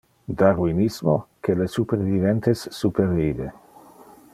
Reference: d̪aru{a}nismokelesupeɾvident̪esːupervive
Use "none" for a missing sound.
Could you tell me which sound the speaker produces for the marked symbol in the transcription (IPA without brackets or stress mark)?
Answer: i